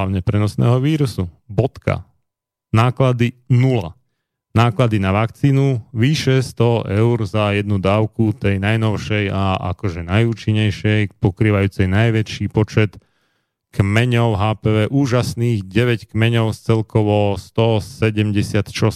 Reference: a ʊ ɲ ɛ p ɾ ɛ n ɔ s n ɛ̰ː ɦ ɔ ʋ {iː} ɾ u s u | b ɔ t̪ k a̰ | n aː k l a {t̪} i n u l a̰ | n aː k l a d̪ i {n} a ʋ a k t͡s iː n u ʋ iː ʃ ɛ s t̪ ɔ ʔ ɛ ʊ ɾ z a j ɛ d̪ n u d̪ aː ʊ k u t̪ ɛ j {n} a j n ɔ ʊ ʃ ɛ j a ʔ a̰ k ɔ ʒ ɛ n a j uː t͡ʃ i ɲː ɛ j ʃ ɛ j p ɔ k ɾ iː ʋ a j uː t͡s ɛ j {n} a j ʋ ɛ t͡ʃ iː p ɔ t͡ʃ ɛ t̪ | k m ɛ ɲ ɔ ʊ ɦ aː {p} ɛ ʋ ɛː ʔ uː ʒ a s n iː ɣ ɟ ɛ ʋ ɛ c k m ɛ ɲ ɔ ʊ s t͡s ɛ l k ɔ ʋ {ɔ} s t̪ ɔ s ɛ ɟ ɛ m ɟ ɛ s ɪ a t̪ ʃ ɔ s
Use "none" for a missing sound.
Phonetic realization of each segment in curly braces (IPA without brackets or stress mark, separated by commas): iː, d̪, n, n, n, p, ɔ